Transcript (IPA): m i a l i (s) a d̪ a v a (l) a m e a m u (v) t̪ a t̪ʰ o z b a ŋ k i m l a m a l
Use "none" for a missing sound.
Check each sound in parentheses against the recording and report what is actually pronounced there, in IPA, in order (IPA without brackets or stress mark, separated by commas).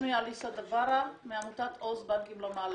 s, ɾ, none